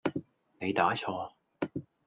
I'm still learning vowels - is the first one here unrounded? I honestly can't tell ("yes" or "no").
yes